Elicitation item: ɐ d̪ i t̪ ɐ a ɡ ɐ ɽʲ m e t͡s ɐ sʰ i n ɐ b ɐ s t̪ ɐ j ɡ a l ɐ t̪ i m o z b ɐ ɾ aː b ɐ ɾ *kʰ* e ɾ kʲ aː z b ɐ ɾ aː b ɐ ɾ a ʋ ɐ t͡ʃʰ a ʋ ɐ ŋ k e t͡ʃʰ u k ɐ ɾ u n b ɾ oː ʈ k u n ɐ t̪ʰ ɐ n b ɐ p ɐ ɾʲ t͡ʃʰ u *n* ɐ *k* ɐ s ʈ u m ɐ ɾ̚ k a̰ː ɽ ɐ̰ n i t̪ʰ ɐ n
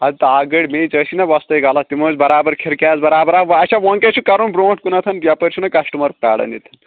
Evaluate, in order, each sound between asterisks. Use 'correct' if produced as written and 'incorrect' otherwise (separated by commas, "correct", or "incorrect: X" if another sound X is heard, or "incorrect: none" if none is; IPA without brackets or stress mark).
correct, correct, correct